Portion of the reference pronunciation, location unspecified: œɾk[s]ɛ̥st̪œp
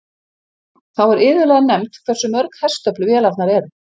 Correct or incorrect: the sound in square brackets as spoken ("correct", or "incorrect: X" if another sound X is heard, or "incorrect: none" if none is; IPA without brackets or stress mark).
incorrect: h